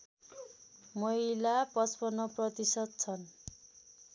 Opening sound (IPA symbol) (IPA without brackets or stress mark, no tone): m